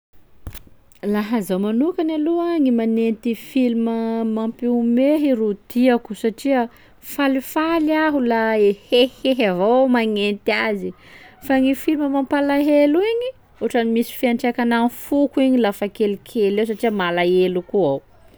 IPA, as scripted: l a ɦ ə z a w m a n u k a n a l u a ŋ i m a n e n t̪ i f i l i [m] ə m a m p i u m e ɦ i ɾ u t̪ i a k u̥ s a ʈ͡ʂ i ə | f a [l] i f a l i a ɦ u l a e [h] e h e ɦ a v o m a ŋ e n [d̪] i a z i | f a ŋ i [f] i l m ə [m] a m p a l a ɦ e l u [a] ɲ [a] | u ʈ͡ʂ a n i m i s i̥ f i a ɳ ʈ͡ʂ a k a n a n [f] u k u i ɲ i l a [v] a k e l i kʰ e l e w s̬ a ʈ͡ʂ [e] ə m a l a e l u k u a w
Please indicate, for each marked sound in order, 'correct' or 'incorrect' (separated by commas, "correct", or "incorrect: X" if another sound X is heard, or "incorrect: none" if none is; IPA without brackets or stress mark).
correct, correct, correct, incorrect: t̪, correct, correct, incorrect: i, incorrect: i, correct, incorrect: f, incorrect: i